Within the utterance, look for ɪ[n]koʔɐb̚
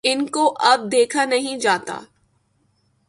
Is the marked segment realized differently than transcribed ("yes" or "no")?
no